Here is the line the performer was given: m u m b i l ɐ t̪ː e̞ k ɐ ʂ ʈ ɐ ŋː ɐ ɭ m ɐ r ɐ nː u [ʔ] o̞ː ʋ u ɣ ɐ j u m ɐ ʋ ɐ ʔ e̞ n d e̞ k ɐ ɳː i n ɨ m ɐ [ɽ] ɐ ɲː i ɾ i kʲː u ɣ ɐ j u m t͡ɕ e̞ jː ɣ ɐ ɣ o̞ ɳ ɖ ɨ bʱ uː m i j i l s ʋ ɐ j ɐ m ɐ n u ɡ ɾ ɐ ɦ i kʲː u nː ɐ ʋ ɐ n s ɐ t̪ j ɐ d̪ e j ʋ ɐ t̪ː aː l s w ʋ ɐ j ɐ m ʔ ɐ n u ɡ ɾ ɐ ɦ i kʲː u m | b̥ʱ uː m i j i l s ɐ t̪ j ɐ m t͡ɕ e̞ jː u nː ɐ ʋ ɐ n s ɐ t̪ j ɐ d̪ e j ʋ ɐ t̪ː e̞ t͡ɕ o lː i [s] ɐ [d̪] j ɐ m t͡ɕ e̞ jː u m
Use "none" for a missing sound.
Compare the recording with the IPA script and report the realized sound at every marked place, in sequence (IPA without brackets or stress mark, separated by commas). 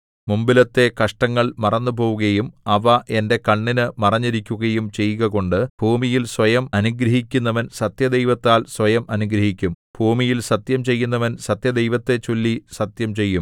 p, r, s, t̪